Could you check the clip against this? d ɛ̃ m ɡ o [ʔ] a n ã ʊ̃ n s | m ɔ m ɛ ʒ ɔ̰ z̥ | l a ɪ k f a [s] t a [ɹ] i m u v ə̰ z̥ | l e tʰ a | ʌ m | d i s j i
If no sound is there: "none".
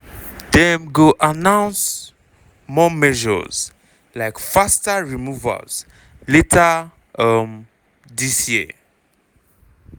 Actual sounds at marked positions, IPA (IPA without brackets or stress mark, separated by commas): ʔ, s, ɹ